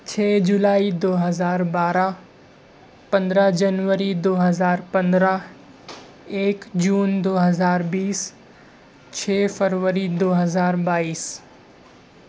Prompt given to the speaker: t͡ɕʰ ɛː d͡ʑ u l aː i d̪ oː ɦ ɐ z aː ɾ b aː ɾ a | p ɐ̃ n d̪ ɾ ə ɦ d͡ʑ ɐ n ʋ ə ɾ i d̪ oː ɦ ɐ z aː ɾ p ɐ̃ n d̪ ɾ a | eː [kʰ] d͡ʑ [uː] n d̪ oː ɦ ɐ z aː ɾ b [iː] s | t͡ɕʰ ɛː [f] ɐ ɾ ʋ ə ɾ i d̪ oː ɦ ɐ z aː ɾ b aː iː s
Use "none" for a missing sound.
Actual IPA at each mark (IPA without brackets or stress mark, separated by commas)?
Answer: k, uː, iː, f